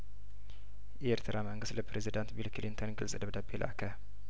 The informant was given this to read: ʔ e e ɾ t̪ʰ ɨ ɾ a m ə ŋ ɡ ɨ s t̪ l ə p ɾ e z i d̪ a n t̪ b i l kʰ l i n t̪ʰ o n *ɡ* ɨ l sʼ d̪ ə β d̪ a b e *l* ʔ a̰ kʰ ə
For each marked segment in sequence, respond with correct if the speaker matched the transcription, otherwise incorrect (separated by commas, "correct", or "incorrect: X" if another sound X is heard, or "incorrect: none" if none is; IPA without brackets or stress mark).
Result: correct, correct